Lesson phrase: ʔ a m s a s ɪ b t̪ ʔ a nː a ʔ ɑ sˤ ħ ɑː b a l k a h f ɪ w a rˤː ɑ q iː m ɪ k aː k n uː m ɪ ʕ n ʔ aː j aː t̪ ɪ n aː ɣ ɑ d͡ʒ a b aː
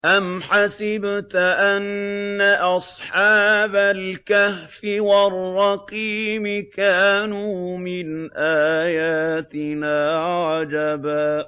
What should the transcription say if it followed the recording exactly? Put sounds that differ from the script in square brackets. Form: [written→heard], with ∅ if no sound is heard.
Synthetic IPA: ʔ a m [s→ħ] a s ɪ b t̪ ʔ a nː a ʔ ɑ sˤ ħ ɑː b a l k a h f ɪ w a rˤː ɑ q iː m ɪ k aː [k→∅] n uː m ɪ [ʕ→∅] n ʔ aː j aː t̪ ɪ n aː [ɣ→ʕ] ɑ d͡ʒ a b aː